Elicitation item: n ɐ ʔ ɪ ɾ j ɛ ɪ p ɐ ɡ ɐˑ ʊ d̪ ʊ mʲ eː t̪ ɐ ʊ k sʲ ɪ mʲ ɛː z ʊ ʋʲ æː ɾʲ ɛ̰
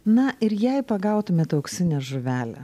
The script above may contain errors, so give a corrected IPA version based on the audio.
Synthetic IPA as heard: n ɐ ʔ ɪ ɾ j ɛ ɪ p ɐ ɡ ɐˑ ʊ t̪ ʊ mʲ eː t̪ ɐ ʊ k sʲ ɪ nʲ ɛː ʒ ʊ ʋʲ æː lʲ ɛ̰